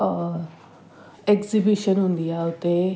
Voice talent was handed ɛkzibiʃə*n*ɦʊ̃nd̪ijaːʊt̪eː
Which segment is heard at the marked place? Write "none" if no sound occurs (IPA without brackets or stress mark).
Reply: n